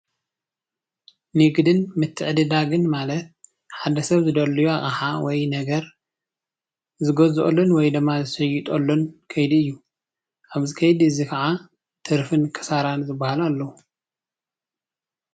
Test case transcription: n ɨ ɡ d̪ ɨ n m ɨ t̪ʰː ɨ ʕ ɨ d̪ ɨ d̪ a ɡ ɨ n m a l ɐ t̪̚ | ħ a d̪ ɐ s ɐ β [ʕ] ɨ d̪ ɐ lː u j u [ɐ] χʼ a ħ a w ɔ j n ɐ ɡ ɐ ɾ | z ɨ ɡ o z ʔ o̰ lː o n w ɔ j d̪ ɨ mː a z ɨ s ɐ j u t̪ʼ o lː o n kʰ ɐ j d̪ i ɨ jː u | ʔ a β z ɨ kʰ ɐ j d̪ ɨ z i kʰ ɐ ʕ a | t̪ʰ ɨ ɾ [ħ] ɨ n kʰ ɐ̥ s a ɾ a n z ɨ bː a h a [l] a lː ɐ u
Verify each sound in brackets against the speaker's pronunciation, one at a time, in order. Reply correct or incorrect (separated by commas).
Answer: incorrect, incorrect, incorrect, correct